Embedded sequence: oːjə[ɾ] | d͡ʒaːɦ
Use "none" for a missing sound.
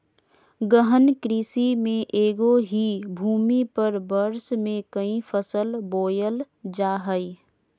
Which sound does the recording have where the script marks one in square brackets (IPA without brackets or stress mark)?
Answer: l